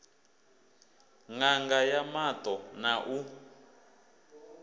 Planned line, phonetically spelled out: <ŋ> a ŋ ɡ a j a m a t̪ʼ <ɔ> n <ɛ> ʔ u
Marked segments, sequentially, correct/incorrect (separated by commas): correct, correct, incorrect